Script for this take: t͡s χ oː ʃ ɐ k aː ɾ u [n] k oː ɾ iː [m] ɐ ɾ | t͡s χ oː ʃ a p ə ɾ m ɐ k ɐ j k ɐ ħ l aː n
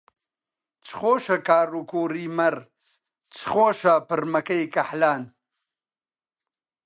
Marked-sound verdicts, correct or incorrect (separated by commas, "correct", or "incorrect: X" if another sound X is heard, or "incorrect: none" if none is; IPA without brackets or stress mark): incorrect: none, correct